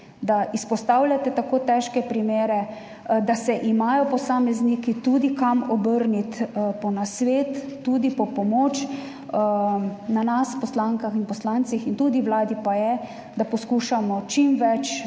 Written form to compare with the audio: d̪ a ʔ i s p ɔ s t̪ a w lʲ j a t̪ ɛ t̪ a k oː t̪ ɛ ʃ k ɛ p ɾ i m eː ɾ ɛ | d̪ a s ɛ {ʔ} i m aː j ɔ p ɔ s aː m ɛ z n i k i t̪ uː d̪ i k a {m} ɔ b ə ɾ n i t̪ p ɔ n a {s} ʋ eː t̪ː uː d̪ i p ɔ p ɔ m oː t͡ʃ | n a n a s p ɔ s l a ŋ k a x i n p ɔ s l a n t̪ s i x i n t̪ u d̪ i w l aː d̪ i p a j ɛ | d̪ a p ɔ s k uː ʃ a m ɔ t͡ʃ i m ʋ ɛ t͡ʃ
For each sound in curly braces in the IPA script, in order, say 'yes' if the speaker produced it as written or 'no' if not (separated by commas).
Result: yes, yes, yes